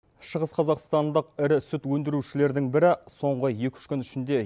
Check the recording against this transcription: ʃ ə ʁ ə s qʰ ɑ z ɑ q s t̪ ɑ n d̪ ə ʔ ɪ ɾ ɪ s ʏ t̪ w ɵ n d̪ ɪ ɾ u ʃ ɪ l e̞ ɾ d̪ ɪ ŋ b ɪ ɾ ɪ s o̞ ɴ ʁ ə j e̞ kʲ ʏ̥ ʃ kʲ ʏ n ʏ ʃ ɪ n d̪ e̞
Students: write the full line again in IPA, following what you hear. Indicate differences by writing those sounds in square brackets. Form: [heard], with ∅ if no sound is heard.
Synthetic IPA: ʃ ə ʁ ə s qʰ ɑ z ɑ q s t̪ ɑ n d̪ ə [q] ɪ ɾ ɪ s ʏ t̪ w ɵ n d̪ ɪ ɾ u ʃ ɪ l e̞ ɾ d̪ ɪ ŋ b ɪ ɾ ɪ s o̞ ɴ ʁ ə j e̞ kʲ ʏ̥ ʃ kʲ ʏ n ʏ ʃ ɪ n d̪ e̞